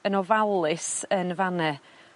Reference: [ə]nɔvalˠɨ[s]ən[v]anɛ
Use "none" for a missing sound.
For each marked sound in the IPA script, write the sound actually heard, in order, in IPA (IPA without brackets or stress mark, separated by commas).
ə, s, v